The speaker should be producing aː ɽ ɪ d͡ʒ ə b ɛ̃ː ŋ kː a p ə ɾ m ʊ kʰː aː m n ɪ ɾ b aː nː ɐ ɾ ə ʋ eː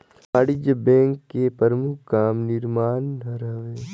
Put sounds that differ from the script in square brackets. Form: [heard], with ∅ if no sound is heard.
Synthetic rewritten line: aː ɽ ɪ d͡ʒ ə b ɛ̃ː ŋ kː [e] p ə ɾ m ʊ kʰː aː m n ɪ ɾ [m] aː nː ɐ ɾ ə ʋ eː